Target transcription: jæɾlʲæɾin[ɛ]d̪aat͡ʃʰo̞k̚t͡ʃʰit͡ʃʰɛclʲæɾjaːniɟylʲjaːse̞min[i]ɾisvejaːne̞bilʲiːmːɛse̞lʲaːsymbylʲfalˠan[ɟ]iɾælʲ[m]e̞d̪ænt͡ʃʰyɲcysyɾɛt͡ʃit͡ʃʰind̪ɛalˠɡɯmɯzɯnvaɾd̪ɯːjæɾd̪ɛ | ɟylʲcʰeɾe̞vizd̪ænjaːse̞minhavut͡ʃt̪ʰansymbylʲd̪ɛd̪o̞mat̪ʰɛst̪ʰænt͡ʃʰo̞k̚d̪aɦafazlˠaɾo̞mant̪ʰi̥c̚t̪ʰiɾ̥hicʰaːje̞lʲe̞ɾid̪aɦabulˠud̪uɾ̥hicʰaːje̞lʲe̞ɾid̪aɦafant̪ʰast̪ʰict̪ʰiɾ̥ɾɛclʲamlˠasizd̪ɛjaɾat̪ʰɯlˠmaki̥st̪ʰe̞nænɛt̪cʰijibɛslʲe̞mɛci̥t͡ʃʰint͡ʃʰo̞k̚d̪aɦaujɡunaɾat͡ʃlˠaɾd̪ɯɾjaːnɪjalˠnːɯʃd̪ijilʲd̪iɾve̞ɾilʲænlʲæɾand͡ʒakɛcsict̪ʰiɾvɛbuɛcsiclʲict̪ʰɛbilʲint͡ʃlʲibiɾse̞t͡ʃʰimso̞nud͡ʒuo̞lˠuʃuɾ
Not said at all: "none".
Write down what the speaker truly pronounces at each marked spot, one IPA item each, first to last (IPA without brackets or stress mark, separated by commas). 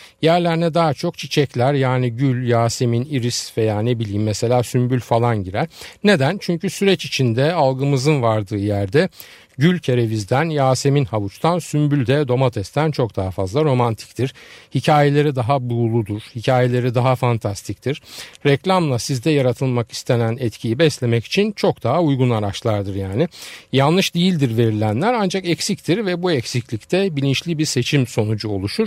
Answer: ɛ, i, ɟ, n